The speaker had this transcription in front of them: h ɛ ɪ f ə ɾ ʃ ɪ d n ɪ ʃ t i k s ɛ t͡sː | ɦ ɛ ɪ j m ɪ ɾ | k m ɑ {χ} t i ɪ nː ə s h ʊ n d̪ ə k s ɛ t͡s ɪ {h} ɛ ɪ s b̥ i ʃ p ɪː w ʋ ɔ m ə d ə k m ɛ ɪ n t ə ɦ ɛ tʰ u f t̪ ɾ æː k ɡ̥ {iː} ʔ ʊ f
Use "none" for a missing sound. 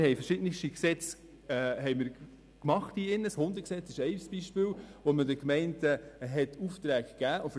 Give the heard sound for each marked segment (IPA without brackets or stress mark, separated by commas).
χ, ʃ, æː